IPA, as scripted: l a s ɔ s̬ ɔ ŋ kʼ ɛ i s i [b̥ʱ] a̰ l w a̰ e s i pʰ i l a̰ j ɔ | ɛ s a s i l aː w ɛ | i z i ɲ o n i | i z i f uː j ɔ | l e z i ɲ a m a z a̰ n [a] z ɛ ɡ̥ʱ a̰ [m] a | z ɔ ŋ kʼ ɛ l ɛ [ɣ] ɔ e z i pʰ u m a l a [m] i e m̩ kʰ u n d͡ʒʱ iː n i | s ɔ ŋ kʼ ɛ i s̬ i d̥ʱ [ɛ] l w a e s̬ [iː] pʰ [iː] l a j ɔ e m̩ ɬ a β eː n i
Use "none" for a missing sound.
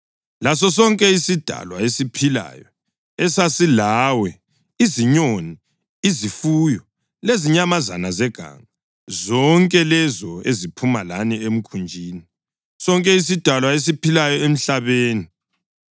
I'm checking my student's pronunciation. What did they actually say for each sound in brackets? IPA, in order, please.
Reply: d̥ʱ, a, ŋ, z, n, a, i, i

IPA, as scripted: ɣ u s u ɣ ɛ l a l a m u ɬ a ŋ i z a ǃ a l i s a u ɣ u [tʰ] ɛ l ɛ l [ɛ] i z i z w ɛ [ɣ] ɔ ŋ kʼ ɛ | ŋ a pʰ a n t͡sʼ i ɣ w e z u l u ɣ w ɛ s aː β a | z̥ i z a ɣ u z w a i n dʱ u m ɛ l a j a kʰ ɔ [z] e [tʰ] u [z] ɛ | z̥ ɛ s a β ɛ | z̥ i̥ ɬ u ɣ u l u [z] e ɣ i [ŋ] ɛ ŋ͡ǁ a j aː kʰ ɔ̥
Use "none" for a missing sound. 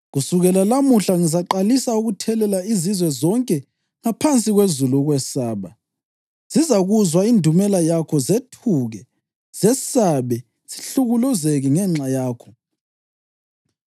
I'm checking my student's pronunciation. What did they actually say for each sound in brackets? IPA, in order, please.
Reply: tʰ, a, z, z, tʰ, ɣ, z, ŋ

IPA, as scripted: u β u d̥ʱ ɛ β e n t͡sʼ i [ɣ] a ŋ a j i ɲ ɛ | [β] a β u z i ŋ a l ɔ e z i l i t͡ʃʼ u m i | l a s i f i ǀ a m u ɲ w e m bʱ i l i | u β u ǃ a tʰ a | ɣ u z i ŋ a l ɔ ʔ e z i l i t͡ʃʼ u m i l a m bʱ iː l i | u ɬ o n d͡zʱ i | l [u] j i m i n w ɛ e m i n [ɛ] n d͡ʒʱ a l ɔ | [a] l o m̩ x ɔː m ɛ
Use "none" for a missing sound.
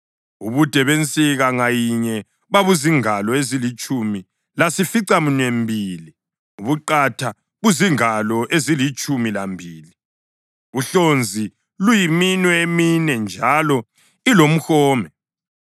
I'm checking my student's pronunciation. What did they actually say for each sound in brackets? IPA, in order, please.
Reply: ɣ, β, u, ɛ, i

